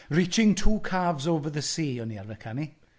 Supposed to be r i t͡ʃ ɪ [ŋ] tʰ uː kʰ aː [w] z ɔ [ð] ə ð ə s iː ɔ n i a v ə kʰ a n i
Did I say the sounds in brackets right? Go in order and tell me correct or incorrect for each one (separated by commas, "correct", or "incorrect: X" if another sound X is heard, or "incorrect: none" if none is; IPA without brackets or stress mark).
correct, incorrect: v, incorrect: v